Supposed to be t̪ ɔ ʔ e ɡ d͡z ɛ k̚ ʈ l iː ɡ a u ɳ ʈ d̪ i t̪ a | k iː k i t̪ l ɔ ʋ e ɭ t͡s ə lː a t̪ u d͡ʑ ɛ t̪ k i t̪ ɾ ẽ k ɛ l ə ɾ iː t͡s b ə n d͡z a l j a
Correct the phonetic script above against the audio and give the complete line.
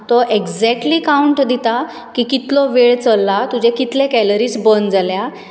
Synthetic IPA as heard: t̪ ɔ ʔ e ɡ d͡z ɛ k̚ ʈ l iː k a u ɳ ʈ d̪ i t̪ a | k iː k i t̪ l ɔ ʋ e ɭ t͡s ə lː a t̪ u d͡ʑ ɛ k i t̪ l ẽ k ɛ l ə ɾ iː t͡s b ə n d͡z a l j a

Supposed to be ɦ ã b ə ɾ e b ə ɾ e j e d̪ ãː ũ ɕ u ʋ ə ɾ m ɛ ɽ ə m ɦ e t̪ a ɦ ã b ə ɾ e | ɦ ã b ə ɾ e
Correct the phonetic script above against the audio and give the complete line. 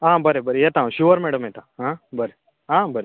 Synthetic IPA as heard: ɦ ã b ə ɾ e b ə ɾ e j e t̪ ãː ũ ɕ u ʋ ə ɾ m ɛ ɽ ə m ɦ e t̪ a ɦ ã b ə ɾ e | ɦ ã b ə ɾ e

